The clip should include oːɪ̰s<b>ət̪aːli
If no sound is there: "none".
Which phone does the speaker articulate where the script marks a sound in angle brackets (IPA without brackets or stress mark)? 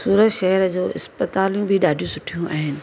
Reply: p